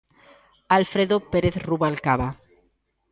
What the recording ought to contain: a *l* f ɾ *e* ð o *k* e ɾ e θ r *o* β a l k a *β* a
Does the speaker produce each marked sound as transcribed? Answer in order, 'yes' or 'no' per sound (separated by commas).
yes, yes, no, no, yes